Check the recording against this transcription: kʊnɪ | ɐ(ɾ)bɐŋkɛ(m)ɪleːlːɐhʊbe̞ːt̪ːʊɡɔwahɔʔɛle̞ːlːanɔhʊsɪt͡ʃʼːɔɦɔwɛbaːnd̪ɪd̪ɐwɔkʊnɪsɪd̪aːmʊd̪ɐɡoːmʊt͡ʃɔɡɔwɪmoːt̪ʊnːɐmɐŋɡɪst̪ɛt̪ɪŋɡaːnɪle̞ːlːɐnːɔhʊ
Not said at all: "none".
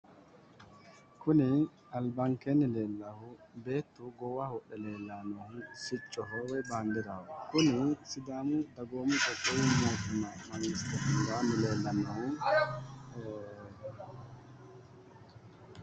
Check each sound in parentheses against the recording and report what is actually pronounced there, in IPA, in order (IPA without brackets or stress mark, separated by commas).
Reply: l, n